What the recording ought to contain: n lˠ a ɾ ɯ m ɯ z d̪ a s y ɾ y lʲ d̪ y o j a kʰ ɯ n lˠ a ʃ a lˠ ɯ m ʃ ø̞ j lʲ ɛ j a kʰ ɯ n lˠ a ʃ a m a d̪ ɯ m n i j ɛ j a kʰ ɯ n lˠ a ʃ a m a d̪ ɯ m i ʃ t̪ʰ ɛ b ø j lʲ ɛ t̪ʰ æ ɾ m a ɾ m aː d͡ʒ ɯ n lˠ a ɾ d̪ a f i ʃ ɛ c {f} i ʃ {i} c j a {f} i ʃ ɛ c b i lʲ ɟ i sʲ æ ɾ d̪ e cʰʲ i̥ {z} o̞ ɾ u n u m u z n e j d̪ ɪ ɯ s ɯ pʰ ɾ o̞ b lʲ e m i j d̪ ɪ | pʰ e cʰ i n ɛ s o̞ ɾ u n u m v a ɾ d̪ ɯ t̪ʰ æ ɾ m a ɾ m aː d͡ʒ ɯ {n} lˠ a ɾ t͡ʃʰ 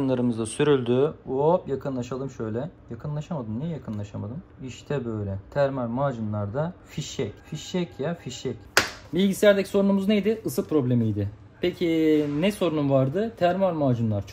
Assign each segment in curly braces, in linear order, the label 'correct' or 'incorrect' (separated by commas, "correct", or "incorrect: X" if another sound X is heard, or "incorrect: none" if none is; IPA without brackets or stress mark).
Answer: correct, incorrect: ɛ, correct, incorrect: s, correct